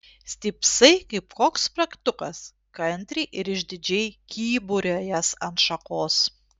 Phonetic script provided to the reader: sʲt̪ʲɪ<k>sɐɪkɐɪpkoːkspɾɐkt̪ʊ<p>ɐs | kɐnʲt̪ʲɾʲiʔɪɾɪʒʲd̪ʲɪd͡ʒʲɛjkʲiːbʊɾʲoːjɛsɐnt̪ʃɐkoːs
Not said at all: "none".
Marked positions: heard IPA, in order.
p, k

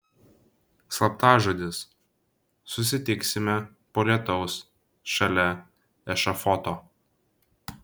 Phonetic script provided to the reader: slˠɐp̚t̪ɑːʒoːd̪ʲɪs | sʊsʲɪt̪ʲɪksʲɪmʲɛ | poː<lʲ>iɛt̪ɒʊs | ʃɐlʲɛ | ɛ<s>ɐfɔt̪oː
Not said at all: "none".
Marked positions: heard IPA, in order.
lʲ, ʃ

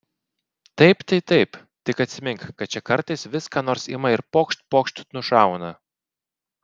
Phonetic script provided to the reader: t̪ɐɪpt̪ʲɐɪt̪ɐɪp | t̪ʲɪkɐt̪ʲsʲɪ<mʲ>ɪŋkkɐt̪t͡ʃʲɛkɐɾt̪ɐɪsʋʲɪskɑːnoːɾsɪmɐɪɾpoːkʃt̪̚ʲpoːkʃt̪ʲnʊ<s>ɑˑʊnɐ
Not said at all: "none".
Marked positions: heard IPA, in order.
mʲ, ʃ

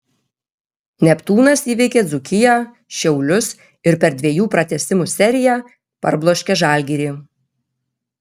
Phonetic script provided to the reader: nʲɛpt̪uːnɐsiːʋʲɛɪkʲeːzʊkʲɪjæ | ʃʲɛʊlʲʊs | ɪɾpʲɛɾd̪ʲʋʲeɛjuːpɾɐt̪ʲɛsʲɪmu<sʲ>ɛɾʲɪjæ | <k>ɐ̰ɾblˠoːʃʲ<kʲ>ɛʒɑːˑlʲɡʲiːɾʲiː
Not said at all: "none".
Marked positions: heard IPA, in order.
sʲ, p, kʲ

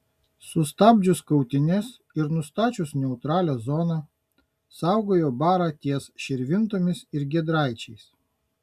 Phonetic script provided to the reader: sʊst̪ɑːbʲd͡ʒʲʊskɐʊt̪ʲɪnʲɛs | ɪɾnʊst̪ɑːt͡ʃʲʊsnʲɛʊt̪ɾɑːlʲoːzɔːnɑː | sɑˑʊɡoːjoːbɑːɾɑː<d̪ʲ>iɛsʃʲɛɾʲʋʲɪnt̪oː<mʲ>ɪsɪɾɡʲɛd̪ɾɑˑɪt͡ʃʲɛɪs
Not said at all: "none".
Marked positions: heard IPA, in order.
t̪ʲ, mʲ

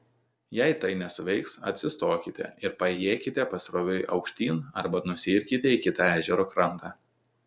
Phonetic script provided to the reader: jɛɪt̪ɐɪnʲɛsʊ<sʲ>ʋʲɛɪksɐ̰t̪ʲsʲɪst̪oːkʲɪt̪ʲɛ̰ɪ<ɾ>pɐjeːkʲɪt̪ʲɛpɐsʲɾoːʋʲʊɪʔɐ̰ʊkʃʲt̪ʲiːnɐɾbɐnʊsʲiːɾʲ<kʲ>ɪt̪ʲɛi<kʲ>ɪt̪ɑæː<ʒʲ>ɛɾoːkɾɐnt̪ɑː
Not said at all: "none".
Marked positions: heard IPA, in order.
none, ɾ, kʲ, kʲ, ʒʲ

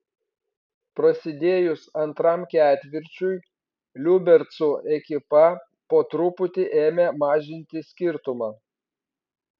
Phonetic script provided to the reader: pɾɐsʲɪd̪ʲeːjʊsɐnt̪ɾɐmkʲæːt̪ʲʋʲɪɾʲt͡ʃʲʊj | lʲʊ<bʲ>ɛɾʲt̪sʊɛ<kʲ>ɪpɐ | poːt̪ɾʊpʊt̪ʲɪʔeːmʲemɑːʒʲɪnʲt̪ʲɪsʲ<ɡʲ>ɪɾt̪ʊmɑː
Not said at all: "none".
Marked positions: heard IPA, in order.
bʲ, kʲ, kʲ

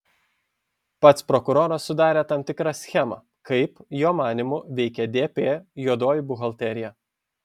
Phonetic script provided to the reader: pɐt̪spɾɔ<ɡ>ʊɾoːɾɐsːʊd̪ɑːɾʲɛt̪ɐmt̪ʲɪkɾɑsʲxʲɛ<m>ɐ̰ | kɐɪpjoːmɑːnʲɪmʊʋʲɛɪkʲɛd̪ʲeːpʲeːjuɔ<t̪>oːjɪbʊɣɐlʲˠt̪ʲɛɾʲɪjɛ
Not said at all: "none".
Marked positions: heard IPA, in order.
k, m, d̪

